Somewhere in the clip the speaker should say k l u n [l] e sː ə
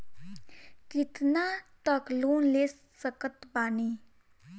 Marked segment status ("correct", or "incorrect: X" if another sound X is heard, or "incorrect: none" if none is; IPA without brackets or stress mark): correct